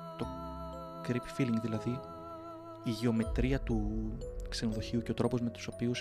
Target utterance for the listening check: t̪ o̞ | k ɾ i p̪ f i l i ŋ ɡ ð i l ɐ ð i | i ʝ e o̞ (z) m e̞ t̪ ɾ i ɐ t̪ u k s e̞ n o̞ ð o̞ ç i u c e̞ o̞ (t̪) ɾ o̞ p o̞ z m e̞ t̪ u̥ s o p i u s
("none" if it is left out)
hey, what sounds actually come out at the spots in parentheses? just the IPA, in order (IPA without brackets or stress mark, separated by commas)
none, t̪